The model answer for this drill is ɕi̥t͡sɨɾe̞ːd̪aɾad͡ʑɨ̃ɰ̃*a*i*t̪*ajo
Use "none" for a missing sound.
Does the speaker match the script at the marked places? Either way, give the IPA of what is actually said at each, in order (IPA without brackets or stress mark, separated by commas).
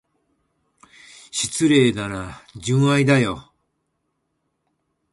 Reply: a, d̪